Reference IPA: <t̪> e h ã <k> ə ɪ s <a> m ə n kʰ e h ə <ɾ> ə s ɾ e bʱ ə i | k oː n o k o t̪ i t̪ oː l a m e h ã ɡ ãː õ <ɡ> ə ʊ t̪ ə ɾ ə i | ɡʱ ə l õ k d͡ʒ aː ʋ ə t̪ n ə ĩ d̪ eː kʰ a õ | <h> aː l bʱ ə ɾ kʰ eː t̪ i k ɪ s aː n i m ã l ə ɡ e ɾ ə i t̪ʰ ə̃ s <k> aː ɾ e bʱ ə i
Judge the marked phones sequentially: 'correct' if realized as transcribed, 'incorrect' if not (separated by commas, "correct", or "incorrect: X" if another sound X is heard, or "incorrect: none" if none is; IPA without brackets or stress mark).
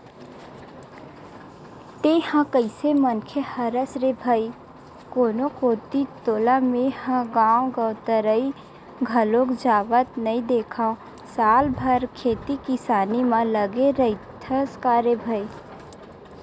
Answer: correct, correct, incorrect: e, correct, correct, incorrect: s, correct